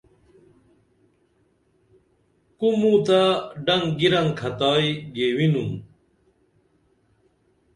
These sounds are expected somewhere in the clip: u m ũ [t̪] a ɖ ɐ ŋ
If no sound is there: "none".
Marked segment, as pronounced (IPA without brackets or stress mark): t̪